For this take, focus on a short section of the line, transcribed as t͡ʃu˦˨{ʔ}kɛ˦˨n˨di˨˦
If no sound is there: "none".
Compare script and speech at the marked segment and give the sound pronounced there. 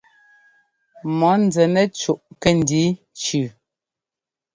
ʔ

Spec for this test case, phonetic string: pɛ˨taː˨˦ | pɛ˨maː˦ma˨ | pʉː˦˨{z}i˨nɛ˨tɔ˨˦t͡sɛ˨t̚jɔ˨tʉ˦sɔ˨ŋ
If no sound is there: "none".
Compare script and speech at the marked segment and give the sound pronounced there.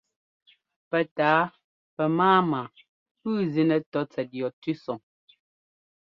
z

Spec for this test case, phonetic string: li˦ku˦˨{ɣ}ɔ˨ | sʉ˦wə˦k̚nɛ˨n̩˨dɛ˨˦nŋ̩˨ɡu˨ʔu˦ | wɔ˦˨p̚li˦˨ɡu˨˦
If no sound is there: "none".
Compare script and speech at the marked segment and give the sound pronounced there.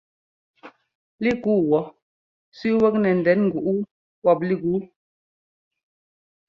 w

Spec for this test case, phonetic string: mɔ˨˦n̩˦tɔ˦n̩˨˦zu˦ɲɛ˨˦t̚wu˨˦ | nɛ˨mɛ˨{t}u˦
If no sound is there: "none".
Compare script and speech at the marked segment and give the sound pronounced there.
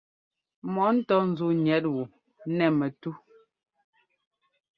t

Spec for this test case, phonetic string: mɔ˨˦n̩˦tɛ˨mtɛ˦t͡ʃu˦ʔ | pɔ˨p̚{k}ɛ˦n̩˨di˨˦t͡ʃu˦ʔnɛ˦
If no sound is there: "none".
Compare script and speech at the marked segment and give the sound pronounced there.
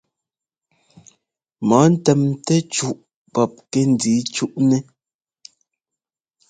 k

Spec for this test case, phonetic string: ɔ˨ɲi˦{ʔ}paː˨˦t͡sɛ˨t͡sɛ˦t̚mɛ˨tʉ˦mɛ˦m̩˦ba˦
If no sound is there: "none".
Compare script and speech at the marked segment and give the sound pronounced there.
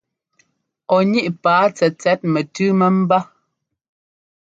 ʔ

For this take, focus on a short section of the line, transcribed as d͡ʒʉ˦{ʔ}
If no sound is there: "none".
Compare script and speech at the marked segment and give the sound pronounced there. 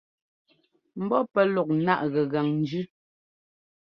none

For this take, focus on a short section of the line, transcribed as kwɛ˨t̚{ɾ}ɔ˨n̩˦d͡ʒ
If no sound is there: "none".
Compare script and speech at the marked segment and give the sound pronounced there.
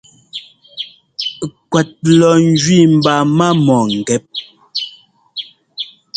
l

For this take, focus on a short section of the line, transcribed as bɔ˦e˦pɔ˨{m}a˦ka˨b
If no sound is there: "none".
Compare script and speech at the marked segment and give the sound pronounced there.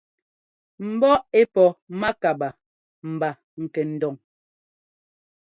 m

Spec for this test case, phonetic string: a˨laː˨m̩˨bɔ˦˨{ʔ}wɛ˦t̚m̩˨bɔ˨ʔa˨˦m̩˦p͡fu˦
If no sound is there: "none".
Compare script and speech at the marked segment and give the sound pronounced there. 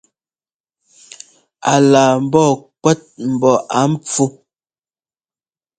k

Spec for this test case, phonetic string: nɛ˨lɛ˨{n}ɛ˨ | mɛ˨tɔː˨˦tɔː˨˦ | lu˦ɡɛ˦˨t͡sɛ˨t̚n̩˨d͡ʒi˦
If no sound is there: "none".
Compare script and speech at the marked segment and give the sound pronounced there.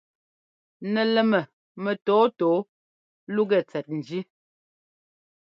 m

